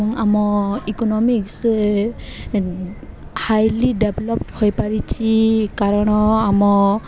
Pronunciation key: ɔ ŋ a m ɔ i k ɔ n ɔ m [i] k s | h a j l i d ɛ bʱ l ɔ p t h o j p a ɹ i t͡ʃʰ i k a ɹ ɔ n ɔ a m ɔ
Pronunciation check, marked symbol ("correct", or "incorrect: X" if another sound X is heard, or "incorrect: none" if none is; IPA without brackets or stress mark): correct